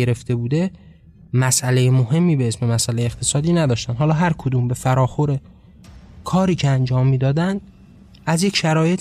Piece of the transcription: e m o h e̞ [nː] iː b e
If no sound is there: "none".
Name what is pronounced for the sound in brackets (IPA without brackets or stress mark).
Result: mː